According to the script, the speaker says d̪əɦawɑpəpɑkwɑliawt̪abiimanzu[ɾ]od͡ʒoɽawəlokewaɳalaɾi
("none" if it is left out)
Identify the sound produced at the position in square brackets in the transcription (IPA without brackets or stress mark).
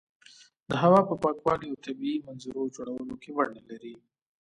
ɾ